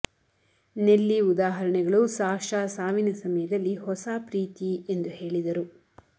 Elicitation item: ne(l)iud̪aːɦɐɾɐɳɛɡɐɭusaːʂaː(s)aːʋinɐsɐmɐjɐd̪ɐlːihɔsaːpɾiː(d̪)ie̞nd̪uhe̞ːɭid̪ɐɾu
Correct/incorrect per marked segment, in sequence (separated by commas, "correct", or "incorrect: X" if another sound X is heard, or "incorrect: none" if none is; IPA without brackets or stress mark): incorrect: lː, correct, incorrect: t̪